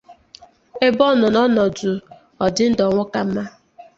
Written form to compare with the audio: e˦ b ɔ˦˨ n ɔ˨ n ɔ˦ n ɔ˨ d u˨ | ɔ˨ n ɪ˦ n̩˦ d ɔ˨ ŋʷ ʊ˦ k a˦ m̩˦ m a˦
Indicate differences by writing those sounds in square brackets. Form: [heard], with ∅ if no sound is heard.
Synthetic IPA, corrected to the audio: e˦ b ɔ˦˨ n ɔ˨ n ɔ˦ n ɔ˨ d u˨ | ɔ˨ [d] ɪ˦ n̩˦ d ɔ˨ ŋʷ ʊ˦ k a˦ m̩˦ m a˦